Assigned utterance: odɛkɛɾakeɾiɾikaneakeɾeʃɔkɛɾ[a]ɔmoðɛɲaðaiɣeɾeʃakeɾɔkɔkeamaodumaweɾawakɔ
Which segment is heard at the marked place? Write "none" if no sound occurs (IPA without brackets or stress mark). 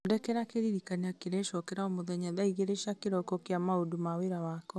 a